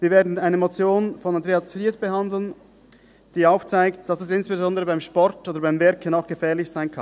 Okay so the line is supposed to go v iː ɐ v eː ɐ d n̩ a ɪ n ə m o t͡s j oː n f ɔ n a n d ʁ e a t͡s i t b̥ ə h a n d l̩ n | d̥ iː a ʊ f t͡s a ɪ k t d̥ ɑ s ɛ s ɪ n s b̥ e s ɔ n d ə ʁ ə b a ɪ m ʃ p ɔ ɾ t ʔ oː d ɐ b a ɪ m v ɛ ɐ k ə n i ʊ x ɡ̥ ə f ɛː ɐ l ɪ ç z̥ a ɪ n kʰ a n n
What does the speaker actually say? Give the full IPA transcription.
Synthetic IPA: v iː ɐ v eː ɐ d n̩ a ɪ n ə m o t͡s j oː n f ɔ n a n d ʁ e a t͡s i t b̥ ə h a n d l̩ n | d̥ iː a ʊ f t͡s a ɪ k t d̥ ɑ s ɛ s ɪ n s b̥ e z ɔ n d ə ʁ ə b a ɪ m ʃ p ɔ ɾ t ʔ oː d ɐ b a ɪ m v ɛ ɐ k ə n a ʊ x ɡ̥ ə f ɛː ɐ l ɪ ç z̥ a ɪ n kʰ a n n